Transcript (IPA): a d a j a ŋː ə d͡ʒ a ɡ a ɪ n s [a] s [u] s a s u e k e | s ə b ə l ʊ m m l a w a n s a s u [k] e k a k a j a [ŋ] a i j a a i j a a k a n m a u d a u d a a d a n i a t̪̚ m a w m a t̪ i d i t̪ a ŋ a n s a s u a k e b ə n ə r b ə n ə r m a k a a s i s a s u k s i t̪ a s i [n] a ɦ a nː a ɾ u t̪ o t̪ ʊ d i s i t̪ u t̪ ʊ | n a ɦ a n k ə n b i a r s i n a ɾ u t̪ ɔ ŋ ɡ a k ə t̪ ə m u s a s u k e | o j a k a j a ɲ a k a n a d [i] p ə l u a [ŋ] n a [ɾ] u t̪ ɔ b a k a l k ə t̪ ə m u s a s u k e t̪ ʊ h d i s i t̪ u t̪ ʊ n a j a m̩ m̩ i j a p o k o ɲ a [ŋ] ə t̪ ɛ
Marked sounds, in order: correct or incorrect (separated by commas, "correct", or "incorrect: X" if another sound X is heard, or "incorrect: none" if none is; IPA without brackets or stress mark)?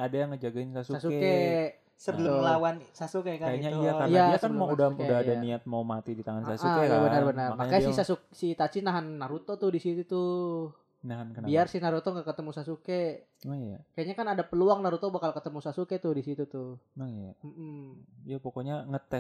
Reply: correct, correct, correct, incorrect: ɲ, correct, incorrect: a, correct, correct, correct